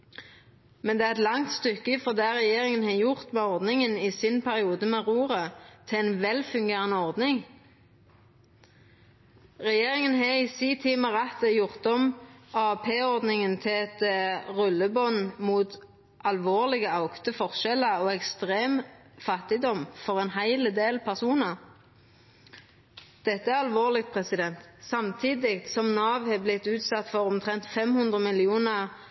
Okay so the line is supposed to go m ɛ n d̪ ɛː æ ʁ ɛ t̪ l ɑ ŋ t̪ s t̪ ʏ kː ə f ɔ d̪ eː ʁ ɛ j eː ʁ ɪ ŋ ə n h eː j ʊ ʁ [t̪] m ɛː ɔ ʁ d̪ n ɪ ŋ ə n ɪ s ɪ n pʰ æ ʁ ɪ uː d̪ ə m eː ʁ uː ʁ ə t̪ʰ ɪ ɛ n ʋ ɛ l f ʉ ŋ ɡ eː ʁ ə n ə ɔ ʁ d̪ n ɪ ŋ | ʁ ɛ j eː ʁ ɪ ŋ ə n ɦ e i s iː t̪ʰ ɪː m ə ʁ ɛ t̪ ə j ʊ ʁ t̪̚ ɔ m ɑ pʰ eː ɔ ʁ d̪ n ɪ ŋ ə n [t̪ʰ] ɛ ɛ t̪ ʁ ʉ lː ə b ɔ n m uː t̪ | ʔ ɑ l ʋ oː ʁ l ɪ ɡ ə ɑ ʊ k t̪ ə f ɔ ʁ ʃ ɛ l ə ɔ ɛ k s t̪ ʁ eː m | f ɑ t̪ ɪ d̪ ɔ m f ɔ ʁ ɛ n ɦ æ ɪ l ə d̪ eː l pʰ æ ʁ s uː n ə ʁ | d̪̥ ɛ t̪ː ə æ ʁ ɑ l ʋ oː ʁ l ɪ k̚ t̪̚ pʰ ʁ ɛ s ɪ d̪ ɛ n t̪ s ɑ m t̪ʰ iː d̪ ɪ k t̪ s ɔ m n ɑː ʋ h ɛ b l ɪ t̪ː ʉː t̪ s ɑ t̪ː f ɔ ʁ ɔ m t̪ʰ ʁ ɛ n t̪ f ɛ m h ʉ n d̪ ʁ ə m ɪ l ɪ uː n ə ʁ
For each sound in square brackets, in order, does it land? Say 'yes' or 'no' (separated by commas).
yes, yes